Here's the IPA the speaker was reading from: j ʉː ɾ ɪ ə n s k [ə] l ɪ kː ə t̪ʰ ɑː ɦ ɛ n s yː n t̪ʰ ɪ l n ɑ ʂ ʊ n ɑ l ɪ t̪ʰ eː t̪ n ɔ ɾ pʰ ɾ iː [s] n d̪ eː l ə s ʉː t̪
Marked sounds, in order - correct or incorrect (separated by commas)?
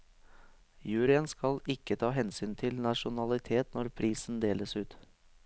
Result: incorrect, correct